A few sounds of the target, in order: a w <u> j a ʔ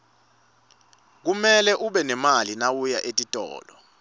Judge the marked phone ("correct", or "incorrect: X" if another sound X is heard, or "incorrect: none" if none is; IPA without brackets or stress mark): correct